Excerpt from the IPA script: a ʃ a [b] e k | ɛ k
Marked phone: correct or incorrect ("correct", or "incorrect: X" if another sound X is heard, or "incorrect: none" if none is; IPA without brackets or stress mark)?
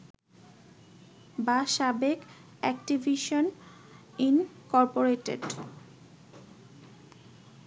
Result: correct